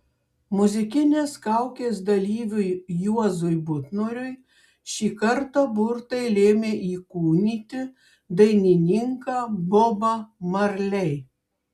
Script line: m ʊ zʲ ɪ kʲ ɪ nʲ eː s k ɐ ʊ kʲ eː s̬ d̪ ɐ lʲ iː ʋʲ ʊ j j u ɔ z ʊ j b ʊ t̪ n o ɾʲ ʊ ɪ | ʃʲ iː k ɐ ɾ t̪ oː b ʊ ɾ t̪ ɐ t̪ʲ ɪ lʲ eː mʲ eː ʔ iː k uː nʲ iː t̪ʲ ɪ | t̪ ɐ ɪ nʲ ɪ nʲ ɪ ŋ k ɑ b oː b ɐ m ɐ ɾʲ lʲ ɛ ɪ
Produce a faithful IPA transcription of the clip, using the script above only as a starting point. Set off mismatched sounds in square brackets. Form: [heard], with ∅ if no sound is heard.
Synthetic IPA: m ʊ zʲ ɪ kʲ ɪ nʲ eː s k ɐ ʊ kʲ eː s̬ d̪ ɐ lʲ iː ʋʲ ʊ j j u ɔ z ʊ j b ʊ t̪ n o ɾʲ ʊ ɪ | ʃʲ iː k ɐ ɾ t̪ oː b ʊ ɾ t̪ ɐ [∅] ɪ lʲ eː mʲ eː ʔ iː k uː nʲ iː t̪ʲ ɪ | [d̪] ɐ ɪ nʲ ɪ nʲ ɪ ŋ k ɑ b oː b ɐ m ɐ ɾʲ lʲ ɛ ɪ

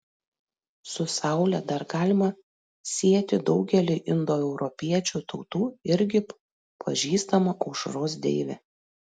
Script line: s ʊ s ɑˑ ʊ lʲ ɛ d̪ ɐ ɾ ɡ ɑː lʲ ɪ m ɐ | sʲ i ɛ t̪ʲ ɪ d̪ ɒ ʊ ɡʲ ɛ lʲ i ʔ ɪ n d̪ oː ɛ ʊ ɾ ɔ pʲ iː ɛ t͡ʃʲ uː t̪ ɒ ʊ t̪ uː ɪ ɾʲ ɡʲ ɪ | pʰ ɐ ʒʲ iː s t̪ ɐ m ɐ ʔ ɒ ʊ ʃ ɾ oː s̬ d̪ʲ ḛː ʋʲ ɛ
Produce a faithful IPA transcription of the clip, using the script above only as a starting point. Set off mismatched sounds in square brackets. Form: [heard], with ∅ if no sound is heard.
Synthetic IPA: s ʊ s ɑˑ ʊ lʲ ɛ d̪ ɐ ɾ ɡ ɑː lʲ ɪ m ɐ | sʲ i ɛ t̪ʲ ɪ d̪ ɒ ʊ ɡʲ ɛ lʲ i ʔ ɪ n d̪ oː ɛ ʊ ɾ ɔ pʲ [i] ɛ t͡ʃʲ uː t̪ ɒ ʊ t̪ uː ɪ ɾʲ ɡʲ ɪ | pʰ ɐ ʒʲ iː s t̪ ɐ m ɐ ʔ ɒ ʊ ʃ ɾ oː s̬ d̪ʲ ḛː ʋʲ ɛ

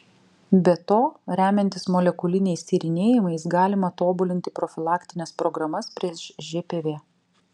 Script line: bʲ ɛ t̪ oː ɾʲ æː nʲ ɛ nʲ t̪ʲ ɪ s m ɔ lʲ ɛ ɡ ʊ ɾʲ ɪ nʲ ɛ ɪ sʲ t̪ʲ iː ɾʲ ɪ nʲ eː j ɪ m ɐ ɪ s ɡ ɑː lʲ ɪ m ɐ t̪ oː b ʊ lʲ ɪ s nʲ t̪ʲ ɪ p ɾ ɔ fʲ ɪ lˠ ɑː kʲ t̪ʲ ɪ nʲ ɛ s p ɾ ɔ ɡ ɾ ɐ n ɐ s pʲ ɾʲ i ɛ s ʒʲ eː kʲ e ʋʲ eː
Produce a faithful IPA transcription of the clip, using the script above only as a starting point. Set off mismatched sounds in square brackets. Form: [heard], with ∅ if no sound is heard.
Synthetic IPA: bʲ ɛ t̪ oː ɾʲ æː [mʲ] ɛ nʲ t̪ʲ ɪ s m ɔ lʲ ɛ [k] ʊ [lʲ] ɪ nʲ ɛ ɪ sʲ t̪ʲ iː ɾʲ ɪ nʲ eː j ɪ m ɐ ɪ s ɡ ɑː lʲ ɪ m ɐ t̪ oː b ʊ lʲ ɪ [∅] nʲ t̪ʲ ɪ p ɾ ɔ fʲ ɪ lˠ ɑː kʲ t̪ʲ ɪ nʲ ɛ s p ɾ ɔ ɡ ɾ ɐ [m] ɐ s pʲ ɾʲ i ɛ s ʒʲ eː [pʲ] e ʋʲ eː

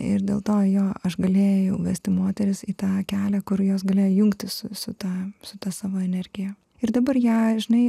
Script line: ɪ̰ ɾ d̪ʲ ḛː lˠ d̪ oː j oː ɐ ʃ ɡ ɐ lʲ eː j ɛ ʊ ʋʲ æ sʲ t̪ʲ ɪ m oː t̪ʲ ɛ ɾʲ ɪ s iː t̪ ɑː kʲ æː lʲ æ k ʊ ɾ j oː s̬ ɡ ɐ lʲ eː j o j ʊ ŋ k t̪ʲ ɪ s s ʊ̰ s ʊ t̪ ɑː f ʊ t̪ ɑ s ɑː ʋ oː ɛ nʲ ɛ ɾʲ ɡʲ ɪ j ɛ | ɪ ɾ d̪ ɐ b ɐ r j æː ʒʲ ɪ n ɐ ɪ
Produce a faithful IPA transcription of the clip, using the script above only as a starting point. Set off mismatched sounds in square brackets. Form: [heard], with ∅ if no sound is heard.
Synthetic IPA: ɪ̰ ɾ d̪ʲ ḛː lˠ [t̪] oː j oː ɐ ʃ ɡ ɐ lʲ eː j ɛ ʊ ʋʲ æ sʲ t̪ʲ ɪ m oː t̪ʲ ɛ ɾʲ ɪ s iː t̪ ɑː kʲ æː lʲ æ k ʊ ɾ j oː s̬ ɡ ɐ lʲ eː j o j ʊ ŋ k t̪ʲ ɪ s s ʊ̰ s ʊ t̪ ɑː [s] ʊ t̪ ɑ s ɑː ʋ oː ɛ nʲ ɛ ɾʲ ɡʲ ɪ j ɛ | ɪ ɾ d̪ ɐ b ɐ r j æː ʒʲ ɪ n ɐ ɪ

